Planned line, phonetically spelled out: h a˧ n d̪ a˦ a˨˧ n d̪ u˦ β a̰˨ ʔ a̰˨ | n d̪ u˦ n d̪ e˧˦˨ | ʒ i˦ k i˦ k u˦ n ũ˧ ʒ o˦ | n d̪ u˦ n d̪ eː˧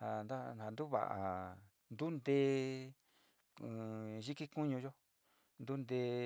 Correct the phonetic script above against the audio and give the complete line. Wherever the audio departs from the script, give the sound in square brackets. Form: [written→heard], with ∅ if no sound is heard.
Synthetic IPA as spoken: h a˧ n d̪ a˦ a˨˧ n d̪ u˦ β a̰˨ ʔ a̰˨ | n d̪ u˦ n d̪ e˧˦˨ | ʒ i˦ k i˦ k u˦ [n→ɲ] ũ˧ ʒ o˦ | n d̪ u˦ n d̪ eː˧